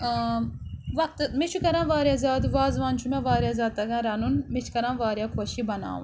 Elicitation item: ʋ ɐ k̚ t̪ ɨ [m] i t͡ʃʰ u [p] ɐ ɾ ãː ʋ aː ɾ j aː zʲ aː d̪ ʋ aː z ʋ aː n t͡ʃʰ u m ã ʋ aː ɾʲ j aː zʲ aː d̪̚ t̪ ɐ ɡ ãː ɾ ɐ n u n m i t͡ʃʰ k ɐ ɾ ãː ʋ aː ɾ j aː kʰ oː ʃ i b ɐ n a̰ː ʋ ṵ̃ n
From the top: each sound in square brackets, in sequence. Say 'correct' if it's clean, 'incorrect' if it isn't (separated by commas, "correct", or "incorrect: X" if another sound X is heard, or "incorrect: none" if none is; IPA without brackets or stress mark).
correct, incorrect: k